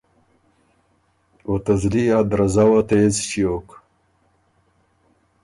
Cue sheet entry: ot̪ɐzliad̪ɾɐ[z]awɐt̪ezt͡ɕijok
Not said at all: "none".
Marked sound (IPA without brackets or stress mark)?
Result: z